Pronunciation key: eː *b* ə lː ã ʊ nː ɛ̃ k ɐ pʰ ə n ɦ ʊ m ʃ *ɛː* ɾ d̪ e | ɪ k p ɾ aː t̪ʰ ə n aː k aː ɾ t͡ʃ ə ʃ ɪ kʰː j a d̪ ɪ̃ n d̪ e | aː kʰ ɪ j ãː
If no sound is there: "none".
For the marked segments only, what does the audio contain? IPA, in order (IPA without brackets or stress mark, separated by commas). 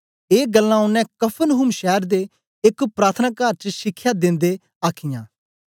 ɡ, ɛː